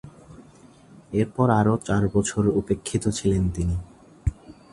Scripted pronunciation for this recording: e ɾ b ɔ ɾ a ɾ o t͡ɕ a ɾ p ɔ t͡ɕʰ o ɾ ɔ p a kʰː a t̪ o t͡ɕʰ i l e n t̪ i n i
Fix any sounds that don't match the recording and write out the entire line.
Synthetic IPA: e ɾ p ɔ ɾ a ɾ o t͡ɕ a ɾ b ɔ t͡ɕʰ o ɾ u p e kʰː i t̪ o t͡ɕʰ i l e n t̪ i n i